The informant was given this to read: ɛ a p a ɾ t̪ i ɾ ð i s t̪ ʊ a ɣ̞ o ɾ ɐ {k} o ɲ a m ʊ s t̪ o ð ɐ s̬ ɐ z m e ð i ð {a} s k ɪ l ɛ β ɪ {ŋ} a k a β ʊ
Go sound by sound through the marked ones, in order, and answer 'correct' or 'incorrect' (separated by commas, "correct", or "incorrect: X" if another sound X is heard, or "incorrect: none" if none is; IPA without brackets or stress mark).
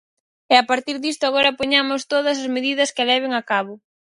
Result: incorrect: p, incorrect: ɐ, correct